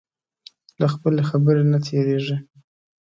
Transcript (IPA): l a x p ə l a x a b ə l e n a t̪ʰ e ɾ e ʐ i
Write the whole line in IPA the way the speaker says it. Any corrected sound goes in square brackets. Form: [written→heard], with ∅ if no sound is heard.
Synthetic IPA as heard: l a x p ə l [a→e] x a b ə [l→ɾ] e n a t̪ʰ e ɾ e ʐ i

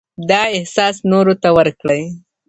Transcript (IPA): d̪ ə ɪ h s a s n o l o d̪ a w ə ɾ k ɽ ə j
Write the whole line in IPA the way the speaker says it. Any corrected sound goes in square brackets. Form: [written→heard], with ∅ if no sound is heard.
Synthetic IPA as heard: d̪ [ə→ɑ] ɪ h s [a→ɑ] s n o [l→ɾ] o [d̪→t̪] a w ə ɾ k ɽ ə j

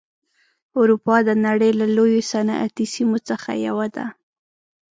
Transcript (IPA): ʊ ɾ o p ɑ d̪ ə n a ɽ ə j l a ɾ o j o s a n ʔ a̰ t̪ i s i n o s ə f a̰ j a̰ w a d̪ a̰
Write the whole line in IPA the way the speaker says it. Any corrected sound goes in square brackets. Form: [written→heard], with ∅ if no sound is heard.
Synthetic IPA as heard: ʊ ɾ [o→u] p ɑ d̪ ə n a ɽ ə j l a [ɾ→l] o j o s a n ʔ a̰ t̪ i s i [n→m] o [s→t͡s] ə [f→x] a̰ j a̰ w a d̪ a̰

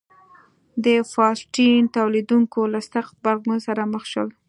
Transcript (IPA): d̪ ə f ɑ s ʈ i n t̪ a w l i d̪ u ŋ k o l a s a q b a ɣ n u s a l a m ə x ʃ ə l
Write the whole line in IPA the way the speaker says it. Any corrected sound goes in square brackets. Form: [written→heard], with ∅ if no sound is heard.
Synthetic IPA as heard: d̪ ə f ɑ s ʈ i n t̪ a w l i d̪ u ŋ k o l a s a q b a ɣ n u s a [l→ɾ] a m ə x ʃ ə l

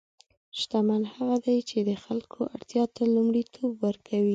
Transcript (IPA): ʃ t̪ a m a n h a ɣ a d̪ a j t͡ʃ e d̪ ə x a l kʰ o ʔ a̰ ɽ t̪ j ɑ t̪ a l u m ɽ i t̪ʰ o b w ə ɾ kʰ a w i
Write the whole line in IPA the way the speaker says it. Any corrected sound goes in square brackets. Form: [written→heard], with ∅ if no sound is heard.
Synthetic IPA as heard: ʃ t̪ a m a n h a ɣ a d̪ a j t͡ʃ e d̪ ə x a l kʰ o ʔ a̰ ɽ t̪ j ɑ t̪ a l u m ɽ i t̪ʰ o b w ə ɾ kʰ a w i

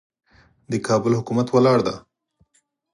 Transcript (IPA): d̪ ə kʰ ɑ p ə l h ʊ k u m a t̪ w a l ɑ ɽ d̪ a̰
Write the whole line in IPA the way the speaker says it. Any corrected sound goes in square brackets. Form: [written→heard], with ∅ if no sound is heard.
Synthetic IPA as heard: d̪ ə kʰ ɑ [p→b] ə l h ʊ k u m a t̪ w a l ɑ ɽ d̪ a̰

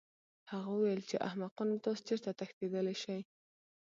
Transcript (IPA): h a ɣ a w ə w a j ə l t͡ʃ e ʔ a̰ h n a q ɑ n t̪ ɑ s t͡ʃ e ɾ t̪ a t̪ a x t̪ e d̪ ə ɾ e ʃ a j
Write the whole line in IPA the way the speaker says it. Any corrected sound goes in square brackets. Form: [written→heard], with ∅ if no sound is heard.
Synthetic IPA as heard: h a ɣ a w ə w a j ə l t͡ʃ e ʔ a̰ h [n→m] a q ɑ n t̪ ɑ s t͡ʃ e ɾ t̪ a t̪ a x t̪ e d̪ ə [ɾ→l] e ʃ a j

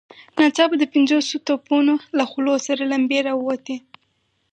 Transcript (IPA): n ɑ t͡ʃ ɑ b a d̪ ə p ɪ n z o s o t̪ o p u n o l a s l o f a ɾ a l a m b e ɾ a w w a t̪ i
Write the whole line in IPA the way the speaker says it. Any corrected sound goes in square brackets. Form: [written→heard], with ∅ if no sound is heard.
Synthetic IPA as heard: n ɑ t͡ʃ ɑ b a d̪ ə p ɪ n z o s o t̪ o p u n o l a [s→x] l o [f→s] a ɾ a l a m b e ɾ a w w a t̪ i

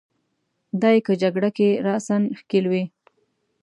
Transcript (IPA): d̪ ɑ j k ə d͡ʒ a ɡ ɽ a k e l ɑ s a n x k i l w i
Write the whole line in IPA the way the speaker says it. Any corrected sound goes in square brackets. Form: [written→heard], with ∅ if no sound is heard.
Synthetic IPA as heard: d̪ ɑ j k ə d͡ʒ a ɡ ɽ a k e [l→ɾ] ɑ s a n x k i l w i

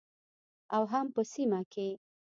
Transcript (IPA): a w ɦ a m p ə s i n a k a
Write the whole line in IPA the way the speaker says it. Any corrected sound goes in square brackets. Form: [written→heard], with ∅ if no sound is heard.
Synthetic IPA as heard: a w ɦ a m p ə s i [n→m] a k [a→e]

